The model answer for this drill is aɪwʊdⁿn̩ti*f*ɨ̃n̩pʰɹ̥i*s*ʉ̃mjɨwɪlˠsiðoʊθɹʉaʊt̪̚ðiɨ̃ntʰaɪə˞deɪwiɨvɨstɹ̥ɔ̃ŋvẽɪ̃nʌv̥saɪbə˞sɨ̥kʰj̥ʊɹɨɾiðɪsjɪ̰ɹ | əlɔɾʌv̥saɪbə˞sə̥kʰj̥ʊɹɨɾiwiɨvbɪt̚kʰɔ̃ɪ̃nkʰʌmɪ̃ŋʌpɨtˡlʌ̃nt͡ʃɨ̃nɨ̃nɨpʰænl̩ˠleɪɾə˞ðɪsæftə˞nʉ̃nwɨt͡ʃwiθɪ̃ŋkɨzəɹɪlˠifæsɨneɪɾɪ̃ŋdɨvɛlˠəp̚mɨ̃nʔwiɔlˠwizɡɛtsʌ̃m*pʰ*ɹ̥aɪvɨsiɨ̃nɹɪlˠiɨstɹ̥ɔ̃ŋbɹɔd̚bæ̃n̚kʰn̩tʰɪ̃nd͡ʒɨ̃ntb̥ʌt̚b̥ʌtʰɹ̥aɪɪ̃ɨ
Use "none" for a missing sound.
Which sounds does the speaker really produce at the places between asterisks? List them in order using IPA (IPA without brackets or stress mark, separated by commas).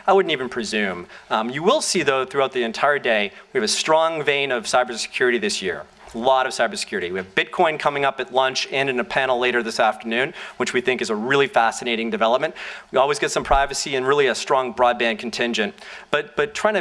v, z, pʰ